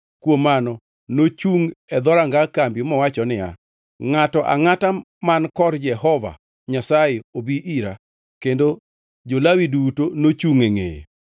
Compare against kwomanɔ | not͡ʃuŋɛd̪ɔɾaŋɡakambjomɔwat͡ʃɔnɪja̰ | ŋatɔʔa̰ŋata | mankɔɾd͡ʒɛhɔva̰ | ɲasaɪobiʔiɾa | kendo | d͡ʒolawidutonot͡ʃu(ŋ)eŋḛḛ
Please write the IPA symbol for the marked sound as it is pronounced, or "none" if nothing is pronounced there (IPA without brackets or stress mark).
ŋ